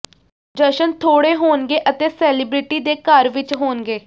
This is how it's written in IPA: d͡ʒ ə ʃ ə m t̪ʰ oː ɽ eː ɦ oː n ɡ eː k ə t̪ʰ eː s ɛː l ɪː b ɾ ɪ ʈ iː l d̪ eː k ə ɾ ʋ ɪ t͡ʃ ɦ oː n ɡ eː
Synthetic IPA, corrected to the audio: d͡ʒ ə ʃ ə n t̪ʰ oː ɽ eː ɦ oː n ɡ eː ʔ ə t̪ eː s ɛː l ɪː b ɾ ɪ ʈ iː d̪ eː k ə ɾ ʋ ɪ t͡ʃ ɦ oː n ɡ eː